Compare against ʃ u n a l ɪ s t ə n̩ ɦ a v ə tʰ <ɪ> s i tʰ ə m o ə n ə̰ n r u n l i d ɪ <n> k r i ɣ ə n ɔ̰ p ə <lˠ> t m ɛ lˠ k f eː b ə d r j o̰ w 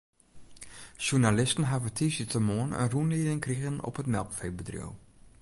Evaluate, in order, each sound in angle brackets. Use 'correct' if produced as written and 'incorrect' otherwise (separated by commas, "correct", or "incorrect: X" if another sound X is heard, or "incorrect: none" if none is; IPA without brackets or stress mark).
incorrect: i, incorrect: ŋ, incorrect: none